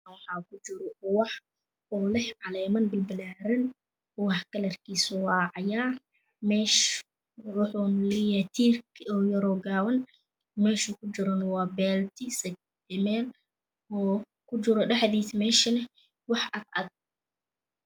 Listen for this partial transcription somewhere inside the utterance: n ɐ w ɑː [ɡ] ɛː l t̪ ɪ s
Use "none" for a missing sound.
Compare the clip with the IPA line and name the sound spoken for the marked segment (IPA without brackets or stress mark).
b